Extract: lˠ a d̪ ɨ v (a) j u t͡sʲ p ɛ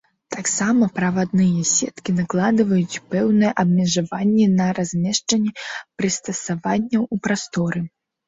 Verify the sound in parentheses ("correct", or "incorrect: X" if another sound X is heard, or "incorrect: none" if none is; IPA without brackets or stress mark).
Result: incorrect: ɐ